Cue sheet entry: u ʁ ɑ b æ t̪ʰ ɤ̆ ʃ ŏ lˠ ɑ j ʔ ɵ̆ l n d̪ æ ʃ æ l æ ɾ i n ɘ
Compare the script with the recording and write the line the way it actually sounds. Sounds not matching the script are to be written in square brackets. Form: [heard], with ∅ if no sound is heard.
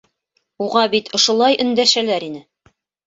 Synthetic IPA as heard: u ʁ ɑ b [i] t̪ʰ [ŏ] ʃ ŏ lˠ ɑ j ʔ ɵ̆ [∅] n d̪ æ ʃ æ l æ ɾ i n ɘ